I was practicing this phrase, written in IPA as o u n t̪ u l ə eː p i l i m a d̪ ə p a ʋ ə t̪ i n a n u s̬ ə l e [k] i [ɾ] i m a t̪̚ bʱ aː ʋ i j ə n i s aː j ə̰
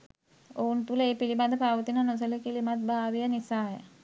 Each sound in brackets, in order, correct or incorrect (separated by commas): correct, incorrect